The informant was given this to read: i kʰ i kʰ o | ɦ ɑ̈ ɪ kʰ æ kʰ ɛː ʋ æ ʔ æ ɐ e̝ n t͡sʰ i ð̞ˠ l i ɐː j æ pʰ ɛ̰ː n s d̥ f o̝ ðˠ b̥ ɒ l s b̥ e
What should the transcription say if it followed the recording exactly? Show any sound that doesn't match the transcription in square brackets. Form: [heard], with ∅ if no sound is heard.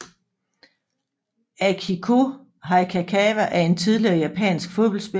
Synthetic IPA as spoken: [æ] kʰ i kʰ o | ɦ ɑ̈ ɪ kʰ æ kʰ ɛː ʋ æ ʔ æ ɐ e̝ n t͡sʰ i ð̞ˠ l i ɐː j æ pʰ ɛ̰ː n s [ɡ̥] f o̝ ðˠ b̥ ɒ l s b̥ e